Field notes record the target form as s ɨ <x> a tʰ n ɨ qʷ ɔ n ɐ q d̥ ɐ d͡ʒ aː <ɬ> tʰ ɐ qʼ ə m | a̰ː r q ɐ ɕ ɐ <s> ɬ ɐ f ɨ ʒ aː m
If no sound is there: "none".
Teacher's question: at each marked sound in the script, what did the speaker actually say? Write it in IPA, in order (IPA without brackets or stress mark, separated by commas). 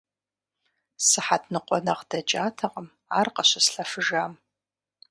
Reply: ħ, none, s